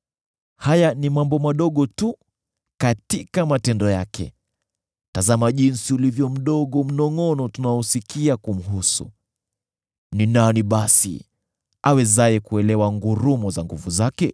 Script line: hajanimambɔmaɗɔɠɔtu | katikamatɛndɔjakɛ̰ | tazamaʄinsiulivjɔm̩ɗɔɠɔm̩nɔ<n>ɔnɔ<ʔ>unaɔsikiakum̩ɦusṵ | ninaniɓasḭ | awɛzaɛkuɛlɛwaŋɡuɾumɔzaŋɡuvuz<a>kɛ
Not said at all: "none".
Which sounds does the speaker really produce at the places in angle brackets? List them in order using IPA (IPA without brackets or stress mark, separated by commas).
ŋ, t, a